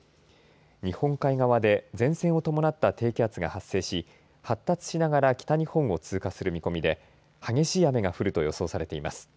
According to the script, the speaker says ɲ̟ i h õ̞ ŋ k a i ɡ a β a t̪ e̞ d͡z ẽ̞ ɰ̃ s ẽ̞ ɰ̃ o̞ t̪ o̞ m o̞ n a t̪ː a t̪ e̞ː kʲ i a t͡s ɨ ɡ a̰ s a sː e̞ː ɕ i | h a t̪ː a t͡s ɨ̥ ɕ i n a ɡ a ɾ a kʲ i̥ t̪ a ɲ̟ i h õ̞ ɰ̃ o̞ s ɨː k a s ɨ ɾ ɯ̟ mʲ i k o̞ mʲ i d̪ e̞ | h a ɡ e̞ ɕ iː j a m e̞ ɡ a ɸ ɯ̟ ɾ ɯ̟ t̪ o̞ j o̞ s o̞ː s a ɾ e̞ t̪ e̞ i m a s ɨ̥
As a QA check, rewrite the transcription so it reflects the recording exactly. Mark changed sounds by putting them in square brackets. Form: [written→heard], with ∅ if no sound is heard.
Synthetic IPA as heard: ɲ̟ i h õ̞ ŋ k a i ɡ a β a [t̪→d̪] e̞ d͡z ẽ̞ ɰ̃ s ẽ̞ ɰ̃ o̞ t̪ o̞ m o̞ n a t̪ː a t̪ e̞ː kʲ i a t͡s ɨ ɡ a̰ [s→h] a sː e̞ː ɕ i | h a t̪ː a t͡s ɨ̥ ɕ i n a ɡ a ɾ a kʲ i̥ t̪ a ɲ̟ i h õ̞ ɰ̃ o̞ [s→t͡s] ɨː k a s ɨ ɾ ɯ̟ mʲ i k o̞ mʲ i d̪ e̞ | h a ɡ e̞ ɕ iː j a m e̞ ɡ a ɸ ɯ̟ ɾ ɯ̟ t̪ o̞ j o̞ s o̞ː s a ɾ e̞ t̪ e̞ i m a s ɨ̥